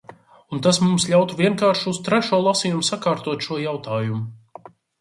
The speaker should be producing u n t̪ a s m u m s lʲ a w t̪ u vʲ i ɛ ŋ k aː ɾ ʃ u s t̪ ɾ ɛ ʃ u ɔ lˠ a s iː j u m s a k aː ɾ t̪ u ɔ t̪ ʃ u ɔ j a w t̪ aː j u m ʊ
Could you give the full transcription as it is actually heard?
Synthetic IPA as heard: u n t̪ a s m u m s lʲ a w t̪ u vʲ i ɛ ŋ k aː ɾ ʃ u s t̪ ɾ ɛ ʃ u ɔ lˠ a s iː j u m s a k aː ɾ t̪ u ɔ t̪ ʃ u ɔ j a w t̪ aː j u m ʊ